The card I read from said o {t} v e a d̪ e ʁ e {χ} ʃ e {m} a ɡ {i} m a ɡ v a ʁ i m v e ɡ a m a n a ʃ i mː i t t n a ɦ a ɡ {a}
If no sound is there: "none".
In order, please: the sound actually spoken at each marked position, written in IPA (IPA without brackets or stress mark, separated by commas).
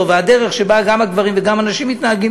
none, χ, b, a, i